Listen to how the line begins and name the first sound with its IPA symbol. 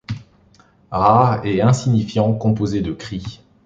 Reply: ʁ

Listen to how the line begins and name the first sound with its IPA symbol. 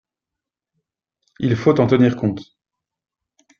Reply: i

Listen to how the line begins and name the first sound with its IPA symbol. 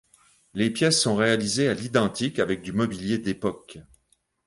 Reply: l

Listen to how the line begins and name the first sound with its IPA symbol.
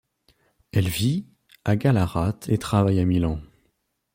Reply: ɛ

